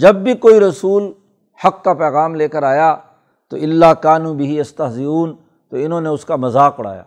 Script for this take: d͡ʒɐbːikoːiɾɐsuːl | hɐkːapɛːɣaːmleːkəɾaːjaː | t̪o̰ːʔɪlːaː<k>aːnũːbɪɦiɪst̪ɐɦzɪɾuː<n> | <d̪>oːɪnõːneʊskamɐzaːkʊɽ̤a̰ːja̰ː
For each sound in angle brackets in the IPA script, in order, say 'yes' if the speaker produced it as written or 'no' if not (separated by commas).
yes, yes, no